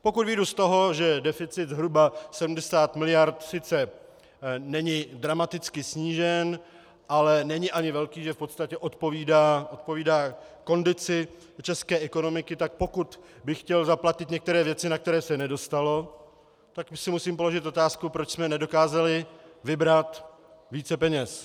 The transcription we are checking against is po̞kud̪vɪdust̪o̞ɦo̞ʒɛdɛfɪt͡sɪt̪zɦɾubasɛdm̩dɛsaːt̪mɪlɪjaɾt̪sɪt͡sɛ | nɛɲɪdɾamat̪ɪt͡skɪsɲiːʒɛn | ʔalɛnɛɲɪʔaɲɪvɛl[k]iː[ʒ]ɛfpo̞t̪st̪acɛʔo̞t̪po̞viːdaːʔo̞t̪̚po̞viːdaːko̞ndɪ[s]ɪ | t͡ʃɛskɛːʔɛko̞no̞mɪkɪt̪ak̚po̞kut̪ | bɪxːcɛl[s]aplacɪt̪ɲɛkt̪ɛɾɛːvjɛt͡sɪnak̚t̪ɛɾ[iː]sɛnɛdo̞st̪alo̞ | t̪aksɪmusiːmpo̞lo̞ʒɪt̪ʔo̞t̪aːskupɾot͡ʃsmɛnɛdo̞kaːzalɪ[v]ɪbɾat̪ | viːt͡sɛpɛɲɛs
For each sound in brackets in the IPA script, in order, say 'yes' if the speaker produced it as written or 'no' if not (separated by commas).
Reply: yes, yes, no, no, no, yes